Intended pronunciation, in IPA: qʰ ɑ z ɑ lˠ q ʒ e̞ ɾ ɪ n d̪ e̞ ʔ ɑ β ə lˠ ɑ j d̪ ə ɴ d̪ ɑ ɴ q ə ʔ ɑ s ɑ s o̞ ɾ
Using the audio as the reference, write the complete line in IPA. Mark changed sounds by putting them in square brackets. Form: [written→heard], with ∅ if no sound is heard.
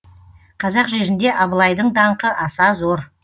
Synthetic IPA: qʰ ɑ z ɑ [lˠ→∅] q ʒ e̞ ɾ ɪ n d̪ e̞ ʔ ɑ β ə lˠ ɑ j d̪ ə ɴ d̪ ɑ ɴ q ə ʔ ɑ s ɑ [s→z] o̞ ɾ